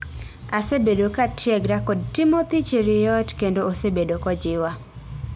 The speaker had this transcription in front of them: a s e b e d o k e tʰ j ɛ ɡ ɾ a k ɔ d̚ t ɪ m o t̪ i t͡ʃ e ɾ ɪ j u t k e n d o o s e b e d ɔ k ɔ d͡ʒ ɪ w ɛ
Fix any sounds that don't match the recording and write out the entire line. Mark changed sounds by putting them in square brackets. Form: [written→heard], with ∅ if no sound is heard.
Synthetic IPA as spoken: a s e b e d o k [e→a] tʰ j ɛ ɡ ɾ a k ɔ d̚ t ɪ m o t̪ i t͡ʃ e ɾ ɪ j [u→ɔ] t k e n d o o s e b e d [ɔ→o] k ɔ d͡ʒ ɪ w [ɛ→a]